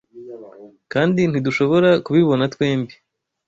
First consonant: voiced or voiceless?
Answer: voiceless